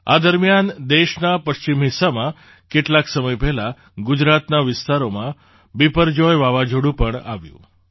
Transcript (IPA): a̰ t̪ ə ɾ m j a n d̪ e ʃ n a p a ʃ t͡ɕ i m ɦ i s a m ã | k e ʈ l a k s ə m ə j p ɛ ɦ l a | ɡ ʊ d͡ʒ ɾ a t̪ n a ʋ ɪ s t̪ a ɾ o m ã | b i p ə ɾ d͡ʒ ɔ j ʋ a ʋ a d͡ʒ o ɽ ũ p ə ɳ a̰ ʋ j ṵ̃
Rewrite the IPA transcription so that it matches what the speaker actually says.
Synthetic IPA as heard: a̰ d̪ ə ɾ m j a n d̪ e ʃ n a p ə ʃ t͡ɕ i m ɦ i s a m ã | k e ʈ l a k s ə m ə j p ɛ ɦ l a | ɡ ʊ d͡ʒ ɾ a t̪ n a ʋ ɪ s t̪ a ɾ o m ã | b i p ə ɾ d͡ʒ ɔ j ʋ a ʋ a d͡ʒ o ɽ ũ p ə ɳ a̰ ʋ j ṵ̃